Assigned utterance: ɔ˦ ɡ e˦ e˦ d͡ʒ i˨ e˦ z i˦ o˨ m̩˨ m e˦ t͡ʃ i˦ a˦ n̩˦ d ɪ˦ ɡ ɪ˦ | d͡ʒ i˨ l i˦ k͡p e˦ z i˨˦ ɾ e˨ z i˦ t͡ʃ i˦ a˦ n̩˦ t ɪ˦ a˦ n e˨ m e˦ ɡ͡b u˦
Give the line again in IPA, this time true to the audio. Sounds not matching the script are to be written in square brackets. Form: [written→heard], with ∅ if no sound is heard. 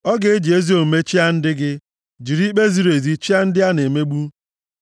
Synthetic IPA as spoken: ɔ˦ ɡ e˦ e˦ d͡ʒ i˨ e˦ z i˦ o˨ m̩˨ m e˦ t͡ʃ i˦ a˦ n̩˦ d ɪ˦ ɡ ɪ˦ | d͡ʒ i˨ [l→ɾ] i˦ k͡p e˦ z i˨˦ ɾ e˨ z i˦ t͡ʃ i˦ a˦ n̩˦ [t→d] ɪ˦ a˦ n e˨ m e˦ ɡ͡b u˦